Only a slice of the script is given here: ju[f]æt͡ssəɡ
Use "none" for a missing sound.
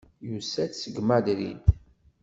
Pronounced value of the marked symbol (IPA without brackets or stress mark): s